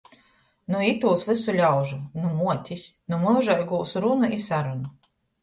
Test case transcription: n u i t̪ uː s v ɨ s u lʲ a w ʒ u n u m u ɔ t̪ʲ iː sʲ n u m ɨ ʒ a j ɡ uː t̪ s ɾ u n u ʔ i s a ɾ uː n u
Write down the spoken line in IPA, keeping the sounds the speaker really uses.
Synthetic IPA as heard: n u i t̪ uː s v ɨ s u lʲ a w ʒ u n u m u ɔ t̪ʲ i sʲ n u m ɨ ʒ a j ɡ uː s ɾ u n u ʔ i s a ɾ u n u